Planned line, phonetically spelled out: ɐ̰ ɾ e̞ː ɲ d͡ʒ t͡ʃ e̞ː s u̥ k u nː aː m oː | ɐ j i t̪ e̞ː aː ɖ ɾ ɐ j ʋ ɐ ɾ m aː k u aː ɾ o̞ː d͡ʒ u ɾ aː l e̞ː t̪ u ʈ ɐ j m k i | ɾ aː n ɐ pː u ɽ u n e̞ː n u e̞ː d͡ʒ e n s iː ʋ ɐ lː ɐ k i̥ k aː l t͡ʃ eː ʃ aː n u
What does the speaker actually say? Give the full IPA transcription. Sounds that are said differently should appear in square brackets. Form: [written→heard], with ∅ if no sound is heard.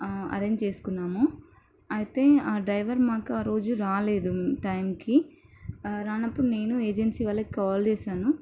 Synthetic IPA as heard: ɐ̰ ɾ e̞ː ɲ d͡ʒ t͡ʃ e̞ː s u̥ k u nː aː m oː | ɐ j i t̪ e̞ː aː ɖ ɾ ɐ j ʋ ɐ ɾ m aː k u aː ɾ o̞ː d͡ʒ u ɾ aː l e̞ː [t̪→d̪] u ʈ ɐ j m k i | ɾ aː n ɐ pː u ɽ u n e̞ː n u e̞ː d͡ʒ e n s iː ʋ ɐ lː ɐ k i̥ k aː l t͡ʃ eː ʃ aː n u